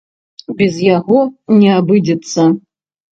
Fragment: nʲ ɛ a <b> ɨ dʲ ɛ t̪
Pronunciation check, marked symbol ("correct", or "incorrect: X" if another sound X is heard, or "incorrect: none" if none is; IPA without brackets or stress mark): correct